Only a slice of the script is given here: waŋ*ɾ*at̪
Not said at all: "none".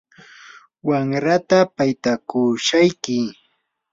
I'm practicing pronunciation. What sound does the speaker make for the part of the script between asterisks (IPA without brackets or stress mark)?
ɾ